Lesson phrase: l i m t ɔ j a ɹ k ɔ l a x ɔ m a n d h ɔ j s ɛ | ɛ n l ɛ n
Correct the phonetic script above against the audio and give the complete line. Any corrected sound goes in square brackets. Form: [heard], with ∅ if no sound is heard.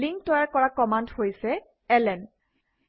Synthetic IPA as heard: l i [ŋ] t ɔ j a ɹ k ɔ [ɹ] a [k] ɔ m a n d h [o] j s ɛ | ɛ [∅] l ɛ n